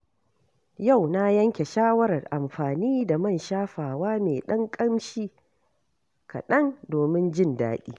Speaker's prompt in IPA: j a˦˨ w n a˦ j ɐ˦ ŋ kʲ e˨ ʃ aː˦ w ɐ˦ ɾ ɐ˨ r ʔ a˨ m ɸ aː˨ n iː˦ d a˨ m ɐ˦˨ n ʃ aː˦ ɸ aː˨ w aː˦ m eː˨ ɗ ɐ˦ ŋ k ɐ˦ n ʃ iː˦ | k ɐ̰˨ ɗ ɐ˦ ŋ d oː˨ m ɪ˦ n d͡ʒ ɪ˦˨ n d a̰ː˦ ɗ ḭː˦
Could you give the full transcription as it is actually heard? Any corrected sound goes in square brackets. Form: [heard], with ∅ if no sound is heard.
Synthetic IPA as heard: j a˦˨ w n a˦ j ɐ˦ ŋ kʲ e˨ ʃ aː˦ w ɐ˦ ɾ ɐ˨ r ʔ a˨ m ɸ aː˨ n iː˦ d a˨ m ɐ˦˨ n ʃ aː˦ ɸ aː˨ w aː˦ m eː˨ ɗ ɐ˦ ŋ [kʼ] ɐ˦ [m] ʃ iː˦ | k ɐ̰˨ ɗ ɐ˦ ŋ d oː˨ m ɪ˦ n d͡ʒ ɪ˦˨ n d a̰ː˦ ɗ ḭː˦